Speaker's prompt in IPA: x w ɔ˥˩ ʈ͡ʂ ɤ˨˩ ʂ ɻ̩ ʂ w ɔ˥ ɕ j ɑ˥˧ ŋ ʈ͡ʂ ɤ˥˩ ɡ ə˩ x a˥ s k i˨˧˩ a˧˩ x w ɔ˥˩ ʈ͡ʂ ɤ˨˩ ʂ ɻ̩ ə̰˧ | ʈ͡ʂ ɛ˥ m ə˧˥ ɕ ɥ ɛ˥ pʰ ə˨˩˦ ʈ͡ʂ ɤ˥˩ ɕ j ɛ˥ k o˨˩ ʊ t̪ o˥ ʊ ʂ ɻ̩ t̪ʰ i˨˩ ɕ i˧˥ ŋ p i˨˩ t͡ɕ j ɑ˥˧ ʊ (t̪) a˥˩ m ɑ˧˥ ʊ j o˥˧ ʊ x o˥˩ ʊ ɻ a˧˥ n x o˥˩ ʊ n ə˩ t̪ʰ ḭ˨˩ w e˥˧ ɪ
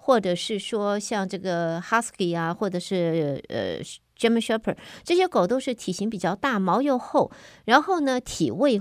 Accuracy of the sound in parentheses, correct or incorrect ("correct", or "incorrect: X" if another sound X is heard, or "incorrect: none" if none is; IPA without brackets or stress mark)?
correct